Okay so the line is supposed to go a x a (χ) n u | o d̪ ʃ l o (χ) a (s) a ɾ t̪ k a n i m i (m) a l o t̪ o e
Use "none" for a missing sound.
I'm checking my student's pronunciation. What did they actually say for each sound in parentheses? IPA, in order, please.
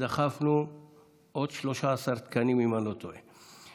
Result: f, ʃ, s, m

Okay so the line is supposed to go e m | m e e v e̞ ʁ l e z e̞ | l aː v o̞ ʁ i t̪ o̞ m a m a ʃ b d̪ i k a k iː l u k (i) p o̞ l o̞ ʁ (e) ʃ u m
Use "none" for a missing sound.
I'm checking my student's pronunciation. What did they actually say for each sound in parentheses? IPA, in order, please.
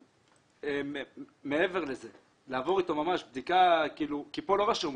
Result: i, a

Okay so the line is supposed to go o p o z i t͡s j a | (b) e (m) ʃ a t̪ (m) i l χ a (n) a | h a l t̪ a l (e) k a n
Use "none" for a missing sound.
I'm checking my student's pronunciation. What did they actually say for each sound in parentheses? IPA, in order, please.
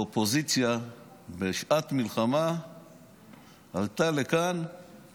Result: b, none, m, m, e

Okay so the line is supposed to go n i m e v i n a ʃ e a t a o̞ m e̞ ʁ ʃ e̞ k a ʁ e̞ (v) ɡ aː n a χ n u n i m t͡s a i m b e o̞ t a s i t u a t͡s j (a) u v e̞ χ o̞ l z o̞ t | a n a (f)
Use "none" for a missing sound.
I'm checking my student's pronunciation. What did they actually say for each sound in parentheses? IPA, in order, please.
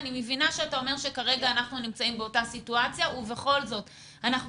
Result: none, a, χ

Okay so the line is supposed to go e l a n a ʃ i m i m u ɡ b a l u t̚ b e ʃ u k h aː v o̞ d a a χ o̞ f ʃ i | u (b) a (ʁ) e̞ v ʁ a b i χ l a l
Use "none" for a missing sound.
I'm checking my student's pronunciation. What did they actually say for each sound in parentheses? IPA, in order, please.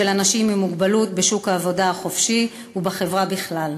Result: b, χ

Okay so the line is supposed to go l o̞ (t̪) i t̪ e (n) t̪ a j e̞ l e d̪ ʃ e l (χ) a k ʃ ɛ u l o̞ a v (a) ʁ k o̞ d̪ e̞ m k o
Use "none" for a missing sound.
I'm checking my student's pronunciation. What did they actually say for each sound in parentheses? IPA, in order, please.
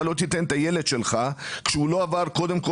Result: t̪, n, χ, a

